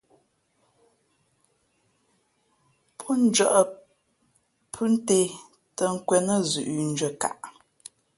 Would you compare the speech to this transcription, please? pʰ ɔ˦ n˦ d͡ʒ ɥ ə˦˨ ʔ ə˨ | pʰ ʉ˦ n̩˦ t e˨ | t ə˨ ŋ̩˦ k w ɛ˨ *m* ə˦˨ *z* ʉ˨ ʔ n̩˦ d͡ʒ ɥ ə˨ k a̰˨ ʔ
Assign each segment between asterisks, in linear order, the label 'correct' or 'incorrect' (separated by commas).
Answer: incorrect, correct